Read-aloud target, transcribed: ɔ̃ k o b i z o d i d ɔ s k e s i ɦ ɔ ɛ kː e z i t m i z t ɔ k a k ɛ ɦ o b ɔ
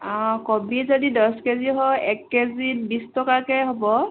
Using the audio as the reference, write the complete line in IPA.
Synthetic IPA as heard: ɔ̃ k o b i z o d i d ɔ s k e z i ɦ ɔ ɛ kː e z i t b i s t ɔ k a k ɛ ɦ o b ɔ